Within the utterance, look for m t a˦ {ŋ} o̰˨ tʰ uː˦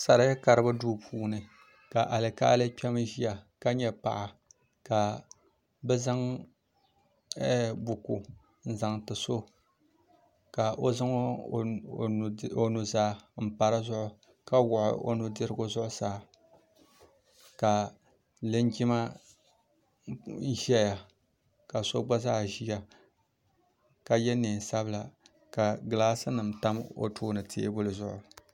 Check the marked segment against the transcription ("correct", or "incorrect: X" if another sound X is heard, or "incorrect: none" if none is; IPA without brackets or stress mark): incorrect: m